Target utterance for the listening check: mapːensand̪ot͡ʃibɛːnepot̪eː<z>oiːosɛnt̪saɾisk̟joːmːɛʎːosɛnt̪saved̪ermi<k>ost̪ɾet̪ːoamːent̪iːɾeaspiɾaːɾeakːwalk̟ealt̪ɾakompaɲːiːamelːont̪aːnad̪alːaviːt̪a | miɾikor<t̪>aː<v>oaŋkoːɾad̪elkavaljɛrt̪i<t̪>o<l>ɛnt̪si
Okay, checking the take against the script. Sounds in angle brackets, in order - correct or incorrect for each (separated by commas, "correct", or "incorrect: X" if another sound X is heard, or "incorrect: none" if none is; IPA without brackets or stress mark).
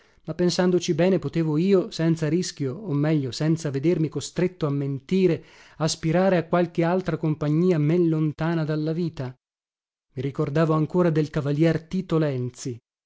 incorrect: v, correct, incorrect: d̪, correct, correct, correct